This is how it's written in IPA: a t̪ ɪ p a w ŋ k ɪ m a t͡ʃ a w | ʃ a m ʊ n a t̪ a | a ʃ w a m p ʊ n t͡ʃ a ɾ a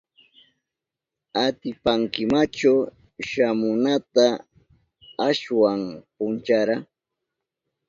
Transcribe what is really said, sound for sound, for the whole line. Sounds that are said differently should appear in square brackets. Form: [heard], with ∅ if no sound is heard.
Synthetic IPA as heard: a t̪ ɪ p a [∅] ŋ k ɪ m a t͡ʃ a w | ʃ a m ʊ n a t̪ a | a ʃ w a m p ʊ n t͡ʃ a ɾ a